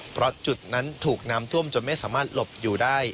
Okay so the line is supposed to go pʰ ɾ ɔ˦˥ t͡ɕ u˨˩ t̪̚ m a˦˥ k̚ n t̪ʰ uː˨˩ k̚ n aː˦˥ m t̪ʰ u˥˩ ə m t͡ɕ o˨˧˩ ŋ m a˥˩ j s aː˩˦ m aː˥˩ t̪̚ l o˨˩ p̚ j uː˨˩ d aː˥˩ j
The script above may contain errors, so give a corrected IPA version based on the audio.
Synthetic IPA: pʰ ɾ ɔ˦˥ t͡ɕ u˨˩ t̪̚ n a˦˥ n t̪ʰ uː˨˩ k̚ n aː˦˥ m t̪ʰ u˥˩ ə m t͡ɕ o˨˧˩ n m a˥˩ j s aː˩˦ m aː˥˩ t̪̚ l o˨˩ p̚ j uː˨˩ d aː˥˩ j